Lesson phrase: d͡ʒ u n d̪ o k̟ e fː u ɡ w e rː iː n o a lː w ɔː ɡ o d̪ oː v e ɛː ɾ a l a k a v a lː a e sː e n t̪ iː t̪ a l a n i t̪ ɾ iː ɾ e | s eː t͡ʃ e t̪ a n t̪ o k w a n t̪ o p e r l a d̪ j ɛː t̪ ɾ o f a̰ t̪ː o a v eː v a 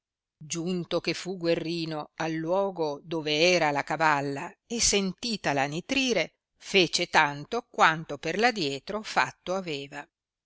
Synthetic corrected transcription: d͡ʒ u n t̪ o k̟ e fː u ɡ w e rː iː n o a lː w ɔː ɡ o d̪ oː v e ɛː ɾ a l a k a v a lː a e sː e n t̪ iː t̪ a l a n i t̪ ɾ iː ɾ e | f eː t͡ʃ e t̪ a n t̪ o k w a n t̪ o p e r l a d̪ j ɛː t̪ ɾ o f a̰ t̪ː o a v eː v a